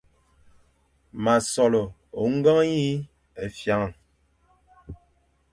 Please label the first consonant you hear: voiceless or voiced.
voiced